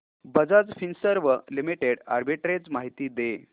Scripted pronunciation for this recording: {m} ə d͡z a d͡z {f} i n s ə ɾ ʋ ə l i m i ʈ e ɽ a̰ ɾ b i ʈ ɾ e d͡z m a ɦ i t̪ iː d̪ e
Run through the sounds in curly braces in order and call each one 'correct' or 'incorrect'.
incorrect: b, correct

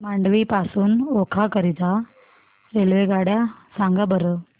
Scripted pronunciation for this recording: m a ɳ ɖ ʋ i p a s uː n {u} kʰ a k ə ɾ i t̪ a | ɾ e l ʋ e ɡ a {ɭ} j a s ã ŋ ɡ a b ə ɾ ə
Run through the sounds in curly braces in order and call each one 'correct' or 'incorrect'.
incorrect: o, incorrect: ɽ

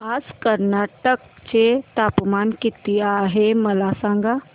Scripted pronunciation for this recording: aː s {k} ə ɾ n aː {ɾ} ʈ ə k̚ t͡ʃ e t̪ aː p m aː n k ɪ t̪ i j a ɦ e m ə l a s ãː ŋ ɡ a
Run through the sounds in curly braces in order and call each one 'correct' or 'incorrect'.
correct, incorrect: none

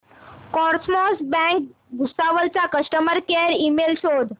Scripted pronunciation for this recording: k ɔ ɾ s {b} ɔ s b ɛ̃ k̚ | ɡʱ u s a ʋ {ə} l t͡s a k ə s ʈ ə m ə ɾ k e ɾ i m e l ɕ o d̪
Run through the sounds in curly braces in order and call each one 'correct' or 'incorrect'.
incorrect: m, correct

